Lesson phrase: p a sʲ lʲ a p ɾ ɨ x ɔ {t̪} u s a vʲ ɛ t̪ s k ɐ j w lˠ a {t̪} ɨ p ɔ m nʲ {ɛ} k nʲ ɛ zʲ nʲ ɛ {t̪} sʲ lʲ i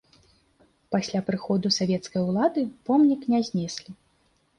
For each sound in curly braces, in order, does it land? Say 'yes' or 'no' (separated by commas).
no, no, no, no